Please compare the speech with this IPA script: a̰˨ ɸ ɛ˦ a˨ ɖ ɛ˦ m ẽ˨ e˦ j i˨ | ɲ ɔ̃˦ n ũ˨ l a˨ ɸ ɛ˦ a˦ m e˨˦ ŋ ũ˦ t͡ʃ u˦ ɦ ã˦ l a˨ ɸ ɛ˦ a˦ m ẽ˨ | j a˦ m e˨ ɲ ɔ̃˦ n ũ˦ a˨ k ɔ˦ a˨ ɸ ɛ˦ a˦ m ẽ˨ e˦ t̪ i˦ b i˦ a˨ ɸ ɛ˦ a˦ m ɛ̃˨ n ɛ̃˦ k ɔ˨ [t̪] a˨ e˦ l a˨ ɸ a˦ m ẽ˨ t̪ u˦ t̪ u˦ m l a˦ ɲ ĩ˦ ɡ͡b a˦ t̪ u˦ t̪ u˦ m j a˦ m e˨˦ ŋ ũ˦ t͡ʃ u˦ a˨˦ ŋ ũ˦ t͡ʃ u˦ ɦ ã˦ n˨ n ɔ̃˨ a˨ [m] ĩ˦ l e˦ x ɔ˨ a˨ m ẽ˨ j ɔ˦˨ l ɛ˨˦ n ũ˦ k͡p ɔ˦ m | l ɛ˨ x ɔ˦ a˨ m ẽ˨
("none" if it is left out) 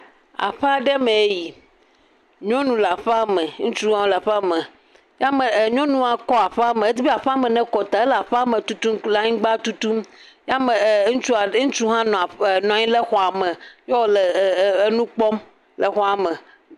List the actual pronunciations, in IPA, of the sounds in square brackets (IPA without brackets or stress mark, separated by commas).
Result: t̪, ɲ